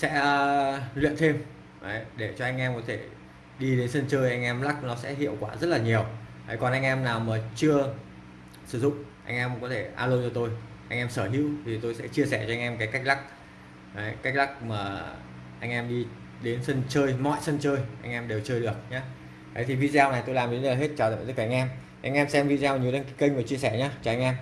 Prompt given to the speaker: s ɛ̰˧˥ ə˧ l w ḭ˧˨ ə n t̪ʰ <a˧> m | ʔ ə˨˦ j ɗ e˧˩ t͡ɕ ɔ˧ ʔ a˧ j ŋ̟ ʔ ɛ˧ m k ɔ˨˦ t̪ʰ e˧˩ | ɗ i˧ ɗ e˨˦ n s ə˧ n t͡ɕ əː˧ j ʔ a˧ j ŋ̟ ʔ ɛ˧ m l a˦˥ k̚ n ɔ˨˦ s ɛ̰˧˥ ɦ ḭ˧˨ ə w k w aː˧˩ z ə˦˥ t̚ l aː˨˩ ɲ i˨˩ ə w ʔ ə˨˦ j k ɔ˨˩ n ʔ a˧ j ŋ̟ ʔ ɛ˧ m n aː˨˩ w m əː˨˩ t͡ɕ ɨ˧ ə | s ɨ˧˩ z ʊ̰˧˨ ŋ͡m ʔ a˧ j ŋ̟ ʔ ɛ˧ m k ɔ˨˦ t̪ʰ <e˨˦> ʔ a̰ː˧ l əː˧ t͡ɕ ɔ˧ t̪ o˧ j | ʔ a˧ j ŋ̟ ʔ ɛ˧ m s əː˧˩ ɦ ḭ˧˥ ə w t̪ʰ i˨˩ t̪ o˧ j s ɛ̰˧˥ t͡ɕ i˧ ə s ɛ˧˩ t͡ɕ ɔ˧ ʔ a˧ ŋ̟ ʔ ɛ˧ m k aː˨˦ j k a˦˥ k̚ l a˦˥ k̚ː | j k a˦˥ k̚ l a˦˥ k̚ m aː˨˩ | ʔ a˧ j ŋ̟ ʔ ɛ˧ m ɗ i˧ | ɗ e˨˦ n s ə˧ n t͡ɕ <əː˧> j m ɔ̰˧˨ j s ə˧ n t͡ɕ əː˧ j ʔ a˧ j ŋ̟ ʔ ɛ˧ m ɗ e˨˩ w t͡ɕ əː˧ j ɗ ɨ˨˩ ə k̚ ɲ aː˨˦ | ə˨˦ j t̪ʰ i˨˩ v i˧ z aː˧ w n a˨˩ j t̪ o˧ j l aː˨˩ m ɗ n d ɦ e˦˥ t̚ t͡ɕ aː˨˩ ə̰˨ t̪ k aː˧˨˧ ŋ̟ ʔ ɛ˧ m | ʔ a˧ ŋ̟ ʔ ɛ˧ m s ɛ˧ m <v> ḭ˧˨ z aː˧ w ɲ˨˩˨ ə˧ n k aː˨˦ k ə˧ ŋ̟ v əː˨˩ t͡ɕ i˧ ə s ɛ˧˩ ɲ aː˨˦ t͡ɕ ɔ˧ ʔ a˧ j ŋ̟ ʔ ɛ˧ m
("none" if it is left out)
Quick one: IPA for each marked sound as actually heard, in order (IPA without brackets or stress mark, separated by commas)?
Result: e˧, e˧˩, əː˧, v